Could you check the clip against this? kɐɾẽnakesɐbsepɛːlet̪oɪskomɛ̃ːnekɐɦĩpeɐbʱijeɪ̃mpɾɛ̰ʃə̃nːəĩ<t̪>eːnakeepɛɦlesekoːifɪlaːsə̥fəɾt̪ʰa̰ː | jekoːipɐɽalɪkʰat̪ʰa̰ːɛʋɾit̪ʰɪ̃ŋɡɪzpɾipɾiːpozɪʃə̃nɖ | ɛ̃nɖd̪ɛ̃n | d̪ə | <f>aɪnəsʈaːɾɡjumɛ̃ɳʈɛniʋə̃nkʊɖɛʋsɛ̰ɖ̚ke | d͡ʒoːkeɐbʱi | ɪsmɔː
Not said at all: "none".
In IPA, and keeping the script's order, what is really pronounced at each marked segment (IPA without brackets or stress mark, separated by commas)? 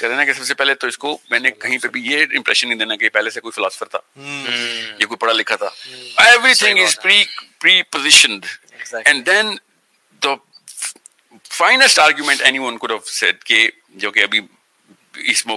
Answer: d̪, f